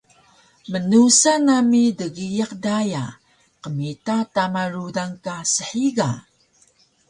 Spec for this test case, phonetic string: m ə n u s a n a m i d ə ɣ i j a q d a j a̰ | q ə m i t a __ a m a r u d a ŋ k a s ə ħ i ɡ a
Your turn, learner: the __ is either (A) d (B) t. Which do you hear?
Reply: B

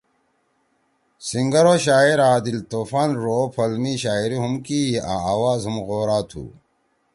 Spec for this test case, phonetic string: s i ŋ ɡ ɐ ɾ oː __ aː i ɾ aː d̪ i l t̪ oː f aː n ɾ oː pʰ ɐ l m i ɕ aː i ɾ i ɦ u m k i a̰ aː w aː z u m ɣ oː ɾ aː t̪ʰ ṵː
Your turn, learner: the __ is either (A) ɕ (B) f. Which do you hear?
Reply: A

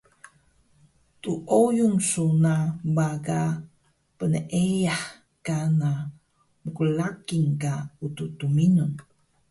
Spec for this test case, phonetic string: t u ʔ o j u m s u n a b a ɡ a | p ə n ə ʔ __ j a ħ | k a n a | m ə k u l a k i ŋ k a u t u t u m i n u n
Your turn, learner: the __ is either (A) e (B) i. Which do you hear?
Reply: A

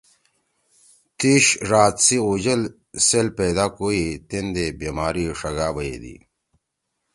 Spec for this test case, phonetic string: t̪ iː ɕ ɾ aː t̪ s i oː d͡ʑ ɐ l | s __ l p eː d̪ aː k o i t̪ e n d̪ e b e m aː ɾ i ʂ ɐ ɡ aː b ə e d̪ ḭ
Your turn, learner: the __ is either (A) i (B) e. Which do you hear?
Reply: B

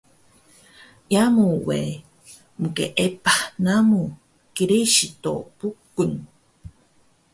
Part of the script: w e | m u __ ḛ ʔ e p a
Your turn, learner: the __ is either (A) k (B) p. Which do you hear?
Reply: A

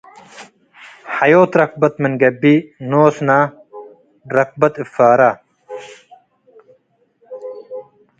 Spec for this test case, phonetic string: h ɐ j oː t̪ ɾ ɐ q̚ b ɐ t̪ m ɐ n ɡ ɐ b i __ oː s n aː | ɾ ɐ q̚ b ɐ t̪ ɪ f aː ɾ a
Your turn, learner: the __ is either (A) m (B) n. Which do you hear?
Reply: B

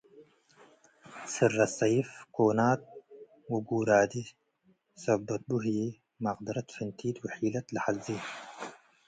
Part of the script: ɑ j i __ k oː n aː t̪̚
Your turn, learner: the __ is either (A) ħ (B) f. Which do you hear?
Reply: B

